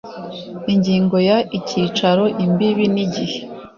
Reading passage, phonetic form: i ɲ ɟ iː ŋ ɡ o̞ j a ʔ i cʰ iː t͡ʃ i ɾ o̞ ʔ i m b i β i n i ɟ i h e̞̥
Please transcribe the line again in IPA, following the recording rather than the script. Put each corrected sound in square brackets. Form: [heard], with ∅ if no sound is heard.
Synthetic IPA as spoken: i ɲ ɟ iː ŋ ɡ o̞ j a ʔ i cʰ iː t͡ʃ [a] ɾ o̞ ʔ i m b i β i n i ɟ i h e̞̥